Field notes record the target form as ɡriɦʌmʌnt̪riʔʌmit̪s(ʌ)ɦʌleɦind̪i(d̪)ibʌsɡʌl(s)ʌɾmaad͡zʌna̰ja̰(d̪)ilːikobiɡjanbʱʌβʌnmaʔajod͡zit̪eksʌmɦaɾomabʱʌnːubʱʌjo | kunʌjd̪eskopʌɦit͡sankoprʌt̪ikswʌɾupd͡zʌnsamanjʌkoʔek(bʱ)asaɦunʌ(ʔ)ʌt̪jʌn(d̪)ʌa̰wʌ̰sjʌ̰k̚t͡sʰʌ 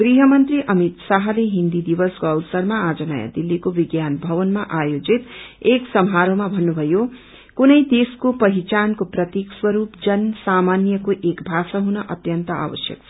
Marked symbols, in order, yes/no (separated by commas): no, yes, yes, yes, yes, yes, no